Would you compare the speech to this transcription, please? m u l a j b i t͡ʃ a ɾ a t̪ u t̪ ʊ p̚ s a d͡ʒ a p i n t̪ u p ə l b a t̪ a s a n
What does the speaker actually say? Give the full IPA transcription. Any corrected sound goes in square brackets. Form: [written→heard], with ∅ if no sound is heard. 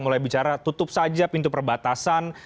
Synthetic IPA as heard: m u l a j b i t͡ʃ a ɾ a t̪ u t̪ ʊ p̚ s a d͡ʒ a p i n t̪ u p ə [l→r] b a t̪ a s a n

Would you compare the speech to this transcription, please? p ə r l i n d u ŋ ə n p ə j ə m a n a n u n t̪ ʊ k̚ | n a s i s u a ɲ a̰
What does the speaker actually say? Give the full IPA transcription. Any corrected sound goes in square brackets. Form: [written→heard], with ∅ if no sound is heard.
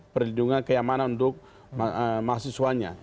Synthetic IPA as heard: p ə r l i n d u ŋ [ə→a] n [p→k] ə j [ə→a] m a n a n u n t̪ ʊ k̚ | [n→m] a s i s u a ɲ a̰

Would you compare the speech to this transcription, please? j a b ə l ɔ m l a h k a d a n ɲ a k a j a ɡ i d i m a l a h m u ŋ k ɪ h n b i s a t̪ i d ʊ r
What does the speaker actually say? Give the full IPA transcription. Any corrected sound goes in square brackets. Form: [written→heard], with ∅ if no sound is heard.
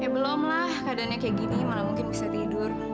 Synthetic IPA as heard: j a b ə l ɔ m l a h k a d a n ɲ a k a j a ɡ i [d→n] i m a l a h m u ŋ k ɪ [h→∅] n b i s a t̪ i d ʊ r

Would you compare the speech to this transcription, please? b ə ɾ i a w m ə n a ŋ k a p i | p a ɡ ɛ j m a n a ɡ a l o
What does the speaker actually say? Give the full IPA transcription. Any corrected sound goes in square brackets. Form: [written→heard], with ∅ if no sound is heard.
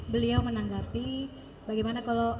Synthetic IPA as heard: b ə [ɾ→l] i a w m ə n a ŋ [k→ɡ] a p i | [p→b] a ɡ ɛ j m a n a [ɡ→k] a l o

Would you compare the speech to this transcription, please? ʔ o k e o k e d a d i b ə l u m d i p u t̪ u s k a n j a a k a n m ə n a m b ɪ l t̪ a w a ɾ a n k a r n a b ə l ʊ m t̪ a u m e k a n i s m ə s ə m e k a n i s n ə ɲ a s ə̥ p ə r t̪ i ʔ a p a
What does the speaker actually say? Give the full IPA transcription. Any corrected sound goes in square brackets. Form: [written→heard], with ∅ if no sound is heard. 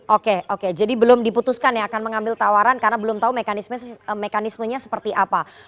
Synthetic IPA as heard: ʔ o k e o k e [d→d͡ʒ] a d i b ə l [u→ʊ] m d i p u t̪ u s k a n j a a k a n m ə [n→ŋ] a m b ɪ l t̪ a w a ɾ a n k a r n a b ə l ʊ m t̪ a u m e k a n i s m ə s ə m e k a n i s [n→m] ə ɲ a s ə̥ p ə r t̪ i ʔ a p a

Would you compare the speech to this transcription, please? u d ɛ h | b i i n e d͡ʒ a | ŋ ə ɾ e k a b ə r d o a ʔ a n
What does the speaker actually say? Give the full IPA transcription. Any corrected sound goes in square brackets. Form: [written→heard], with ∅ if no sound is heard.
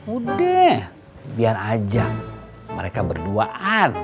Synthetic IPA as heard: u d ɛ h | b i [i→a] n [e→a] d͡ʒ a | [ŋ→m] ə ɾ e k a b ə r d [o→u] a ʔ a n

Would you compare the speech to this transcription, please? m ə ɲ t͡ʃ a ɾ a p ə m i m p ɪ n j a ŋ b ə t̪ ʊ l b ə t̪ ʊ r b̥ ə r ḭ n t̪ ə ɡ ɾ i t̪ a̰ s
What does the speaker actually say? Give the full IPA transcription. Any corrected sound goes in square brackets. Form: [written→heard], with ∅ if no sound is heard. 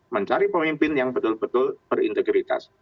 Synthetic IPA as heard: m ə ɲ t͡ʃ a ɾ [a→i] p ə m i m p ɪ n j a ŋ b ə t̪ ʊ l b ə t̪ ʊ [r→l] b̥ ə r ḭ n t̪ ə ɡ ɾ i t̪ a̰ s

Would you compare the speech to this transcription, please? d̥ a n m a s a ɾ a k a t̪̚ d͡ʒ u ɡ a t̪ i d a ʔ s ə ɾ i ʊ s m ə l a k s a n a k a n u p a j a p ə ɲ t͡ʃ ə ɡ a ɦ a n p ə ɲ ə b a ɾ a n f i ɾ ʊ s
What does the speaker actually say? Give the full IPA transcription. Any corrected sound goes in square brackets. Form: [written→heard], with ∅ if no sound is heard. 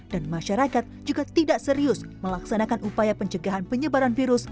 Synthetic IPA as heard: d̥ a n m a [s→ʃ] a ɾ a k a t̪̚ d͡ʒ u ɡ a t̪ i d a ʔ s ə ɾ i ʊ s m ə l a k s a n a k a n u p a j a p ə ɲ t͡ʃ ə ɡ a ɦ a n p ə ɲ ə b a ɾ a n f i ɾ ʊ s

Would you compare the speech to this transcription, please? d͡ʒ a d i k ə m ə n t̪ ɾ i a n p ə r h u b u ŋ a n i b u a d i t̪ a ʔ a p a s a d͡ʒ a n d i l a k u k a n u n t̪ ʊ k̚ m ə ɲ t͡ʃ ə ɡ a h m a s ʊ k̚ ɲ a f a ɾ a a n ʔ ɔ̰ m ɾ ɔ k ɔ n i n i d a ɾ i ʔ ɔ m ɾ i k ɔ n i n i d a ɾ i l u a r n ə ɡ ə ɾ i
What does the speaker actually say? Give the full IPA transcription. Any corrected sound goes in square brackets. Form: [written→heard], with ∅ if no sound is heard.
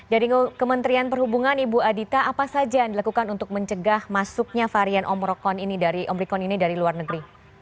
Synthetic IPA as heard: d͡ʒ a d i k ə m ə n t̪ ɾ i a n p ə r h u b u ŋ a n i b u a d i t̪ a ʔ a p a s a d͡ʒ a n d i l a k u k a n u n t̪ ʊ k̚ m ə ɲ t͡ʃ ə ɡ a h m a s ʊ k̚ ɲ a f a ɾ [a→i] a n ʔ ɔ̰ m ɾ ɔ k ɔ n i n i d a ɾ i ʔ ɔ m ɾ i k ɔ n i n i d a ɾ i l u a r n ə ɡ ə ɾ i

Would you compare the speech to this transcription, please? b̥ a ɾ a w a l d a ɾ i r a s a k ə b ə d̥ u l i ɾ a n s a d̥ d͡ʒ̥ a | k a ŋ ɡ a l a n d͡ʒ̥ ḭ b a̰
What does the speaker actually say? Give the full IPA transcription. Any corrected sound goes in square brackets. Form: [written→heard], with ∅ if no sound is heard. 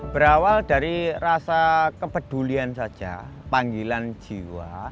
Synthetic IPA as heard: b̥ [a→ə] ɾ a w a l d a ɾ i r a s a k ə [b→p] ə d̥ u l i [ɾ→∅] a n s a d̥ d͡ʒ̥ a | [k→p] a ŋ ɡ [a→i] l a n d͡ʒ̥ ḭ [b→w] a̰

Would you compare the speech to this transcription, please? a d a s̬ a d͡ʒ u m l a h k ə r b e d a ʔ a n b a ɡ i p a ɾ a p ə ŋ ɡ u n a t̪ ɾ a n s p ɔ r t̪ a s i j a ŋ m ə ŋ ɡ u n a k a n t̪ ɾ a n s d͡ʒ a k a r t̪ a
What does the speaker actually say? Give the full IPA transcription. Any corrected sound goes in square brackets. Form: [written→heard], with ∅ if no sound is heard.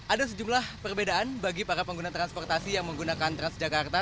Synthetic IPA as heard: a d a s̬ [a→ə] d͡ʒ u m l a h [k→p] ə r b e d a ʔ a n b a ɡ i p a ɾ a p ə ŋ ɡ u n a t̪ ɾ a n s p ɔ r t̪ a s i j a ŋ m ə ŋ ɡ u n a k a n t̪ ɾ a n s d͡ʒ a k a r t̪ a

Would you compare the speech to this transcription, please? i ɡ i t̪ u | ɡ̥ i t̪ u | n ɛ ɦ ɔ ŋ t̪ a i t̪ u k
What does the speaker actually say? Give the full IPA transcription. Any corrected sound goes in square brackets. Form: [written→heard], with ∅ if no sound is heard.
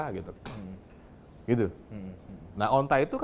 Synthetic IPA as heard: [i→a] ɡ i t̪ u | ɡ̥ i t̪ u | n [ɛ→a] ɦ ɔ [ŋ→n] t̪ a i t̪ u k

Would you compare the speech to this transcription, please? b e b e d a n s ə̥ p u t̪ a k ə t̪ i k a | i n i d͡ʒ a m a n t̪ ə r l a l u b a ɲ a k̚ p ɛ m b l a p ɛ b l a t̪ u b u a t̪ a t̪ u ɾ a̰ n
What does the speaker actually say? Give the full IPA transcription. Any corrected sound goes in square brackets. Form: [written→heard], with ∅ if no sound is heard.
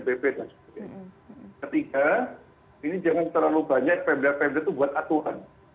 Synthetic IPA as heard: b e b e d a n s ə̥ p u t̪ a k ə t̪ i k a | i n i d͡ʒ a [m→ŋ] a n t̪ ə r l a l u b a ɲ a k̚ p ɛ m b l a p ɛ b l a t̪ u b u a t̪ a t̪ u ɾ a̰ n

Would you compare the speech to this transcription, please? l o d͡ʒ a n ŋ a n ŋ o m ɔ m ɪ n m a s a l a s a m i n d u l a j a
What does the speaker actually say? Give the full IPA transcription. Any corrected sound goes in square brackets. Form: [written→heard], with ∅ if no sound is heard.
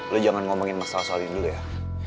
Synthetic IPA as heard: l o d͡ʒ a [n→∅] ŋ a n ŋ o m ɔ [m→ŋ] ɪ n m a s a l a s a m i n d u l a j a

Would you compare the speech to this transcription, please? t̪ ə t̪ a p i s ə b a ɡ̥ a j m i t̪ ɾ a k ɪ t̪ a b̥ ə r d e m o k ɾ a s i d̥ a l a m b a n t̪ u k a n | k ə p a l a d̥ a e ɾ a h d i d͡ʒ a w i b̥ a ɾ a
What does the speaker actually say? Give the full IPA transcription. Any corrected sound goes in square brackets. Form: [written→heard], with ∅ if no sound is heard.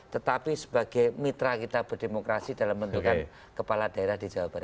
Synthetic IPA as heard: t̪ ə t̪ a p i s ə b a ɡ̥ a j m i t̪ ɾ a k [ɪ→i] t̪ a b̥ ə r d e m o k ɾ a s i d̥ a l a m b [a→ə] n t̪ u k a n | k ə p a l a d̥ a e ɾ a h d i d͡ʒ a w [i→a] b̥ a ɾ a

